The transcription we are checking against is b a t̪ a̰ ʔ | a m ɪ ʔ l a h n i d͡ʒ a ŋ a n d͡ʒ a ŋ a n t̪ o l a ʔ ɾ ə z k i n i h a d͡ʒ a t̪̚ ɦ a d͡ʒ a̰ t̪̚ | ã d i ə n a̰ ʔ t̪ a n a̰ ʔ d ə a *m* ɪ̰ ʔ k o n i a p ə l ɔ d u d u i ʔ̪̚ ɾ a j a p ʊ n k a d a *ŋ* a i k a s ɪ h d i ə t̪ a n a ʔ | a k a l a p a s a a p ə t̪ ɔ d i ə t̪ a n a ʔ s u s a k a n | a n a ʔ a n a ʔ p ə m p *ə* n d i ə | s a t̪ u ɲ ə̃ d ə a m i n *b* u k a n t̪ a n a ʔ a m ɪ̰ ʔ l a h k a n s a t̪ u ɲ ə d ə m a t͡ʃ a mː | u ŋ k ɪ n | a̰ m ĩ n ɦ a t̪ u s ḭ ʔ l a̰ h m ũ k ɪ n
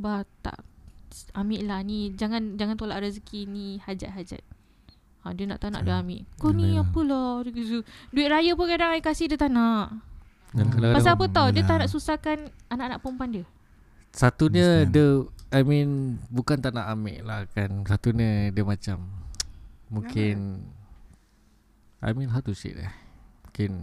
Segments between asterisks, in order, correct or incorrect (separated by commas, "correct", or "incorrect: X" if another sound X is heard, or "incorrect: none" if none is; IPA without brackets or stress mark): correct, correct, incorrect: a, correct